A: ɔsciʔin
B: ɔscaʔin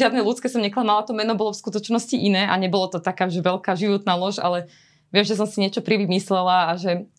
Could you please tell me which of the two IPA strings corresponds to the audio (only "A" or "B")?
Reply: A